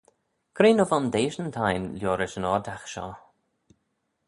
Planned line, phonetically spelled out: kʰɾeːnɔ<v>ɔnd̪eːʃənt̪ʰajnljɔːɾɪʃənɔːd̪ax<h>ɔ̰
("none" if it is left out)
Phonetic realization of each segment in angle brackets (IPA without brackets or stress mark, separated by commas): v, ʃ